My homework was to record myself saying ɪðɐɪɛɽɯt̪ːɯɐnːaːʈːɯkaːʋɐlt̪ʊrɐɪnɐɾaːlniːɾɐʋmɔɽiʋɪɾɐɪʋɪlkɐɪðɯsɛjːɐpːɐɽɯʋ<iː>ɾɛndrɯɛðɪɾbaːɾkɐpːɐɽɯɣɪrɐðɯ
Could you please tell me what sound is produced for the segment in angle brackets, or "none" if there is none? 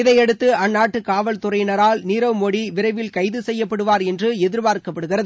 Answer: aː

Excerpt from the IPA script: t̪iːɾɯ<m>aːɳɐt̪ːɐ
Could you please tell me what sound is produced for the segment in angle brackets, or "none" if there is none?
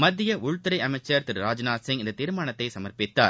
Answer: m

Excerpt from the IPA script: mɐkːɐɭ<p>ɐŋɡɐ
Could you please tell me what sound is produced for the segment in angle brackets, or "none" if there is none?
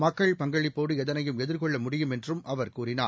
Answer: p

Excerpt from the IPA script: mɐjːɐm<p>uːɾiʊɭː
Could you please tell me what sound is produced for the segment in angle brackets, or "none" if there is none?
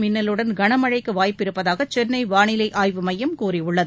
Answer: k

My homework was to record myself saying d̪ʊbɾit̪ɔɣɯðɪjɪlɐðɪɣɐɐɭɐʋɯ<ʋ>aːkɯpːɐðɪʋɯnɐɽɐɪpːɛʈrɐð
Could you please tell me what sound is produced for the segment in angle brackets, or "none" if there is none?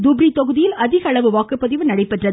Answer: ʋ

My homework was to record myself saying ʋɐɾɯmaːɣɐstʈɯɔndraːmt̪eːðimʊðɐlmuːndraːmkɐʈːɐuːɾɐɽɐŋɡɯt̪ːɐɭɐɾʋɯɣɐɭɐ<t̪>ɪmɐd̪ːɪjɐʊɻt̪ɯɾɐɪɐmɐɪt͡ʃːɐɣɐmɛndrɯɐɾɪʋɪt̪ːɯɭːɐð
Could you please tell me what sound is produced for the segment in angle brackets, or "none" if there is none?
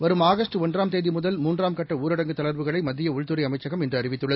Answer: none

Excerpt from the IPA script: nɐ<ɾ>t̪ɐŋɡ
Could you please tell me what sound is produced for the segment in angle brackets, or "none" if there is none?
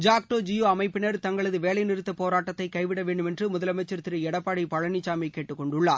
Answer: ɾ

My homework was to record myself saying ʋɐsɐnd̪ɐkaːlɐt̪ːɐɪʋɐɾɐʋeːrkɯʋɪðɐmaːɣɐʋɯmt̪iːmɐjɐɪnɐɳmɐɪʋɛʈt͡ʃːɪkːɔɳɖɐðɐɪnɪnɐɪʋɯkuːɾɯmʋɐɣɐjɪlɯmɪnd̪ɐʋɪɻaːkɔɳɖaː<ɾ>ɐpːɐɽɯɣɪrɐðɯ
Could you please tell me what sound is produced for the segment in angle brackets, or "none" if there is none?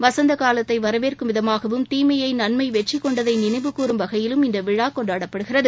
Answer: ɽ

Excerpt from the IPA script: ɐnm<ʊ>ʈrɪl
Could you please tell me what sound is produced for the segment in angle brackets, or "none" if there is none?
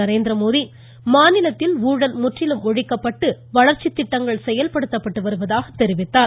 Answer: ʊ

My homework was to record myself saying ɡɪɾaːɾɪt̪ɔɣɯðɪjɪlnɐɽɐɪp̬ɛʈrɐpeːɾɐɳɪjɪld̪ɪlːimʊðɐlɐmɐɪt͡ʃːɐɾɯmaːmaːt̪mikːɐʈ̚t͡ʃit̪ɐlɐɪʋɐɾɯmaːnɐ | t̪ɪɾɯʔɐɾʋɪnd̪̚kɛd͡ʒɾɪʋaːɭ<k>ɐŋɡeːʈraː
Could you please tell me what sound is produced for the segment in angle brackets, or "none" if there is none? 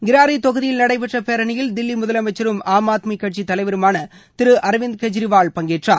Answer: p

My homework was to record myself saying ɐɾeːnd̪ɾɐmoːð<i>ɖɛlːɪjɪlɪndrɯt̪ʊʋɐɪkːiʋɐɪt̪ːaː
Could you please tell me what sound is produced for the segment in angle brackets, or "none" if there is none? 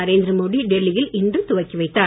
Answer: i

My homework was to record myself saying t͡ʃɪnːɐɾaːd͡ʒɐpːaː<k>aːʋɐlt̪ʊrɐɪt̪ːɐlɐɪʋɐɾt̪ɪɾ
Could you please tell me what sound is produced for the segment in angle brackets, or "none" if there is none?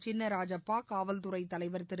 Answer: k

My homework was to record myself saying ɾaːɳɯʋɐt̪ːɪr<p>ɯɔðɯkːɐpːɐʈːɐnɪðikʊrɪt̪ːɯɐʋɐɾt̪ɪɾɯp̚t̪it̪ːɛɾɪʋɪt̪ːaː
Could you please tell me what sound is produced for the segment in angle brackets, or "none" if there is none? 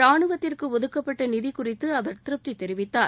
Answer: k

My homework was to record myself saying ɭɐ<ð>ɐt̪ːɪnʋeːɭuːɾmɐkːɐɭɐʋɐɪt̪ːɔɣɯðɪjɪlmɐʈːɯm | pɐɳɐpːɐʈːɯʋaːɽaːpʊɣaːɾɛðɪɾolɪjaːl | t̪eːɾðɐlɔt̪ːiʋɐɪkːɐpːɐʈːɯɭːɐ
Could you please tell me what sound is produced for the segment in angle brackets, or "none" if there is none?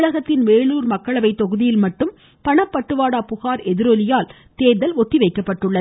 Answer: ɣ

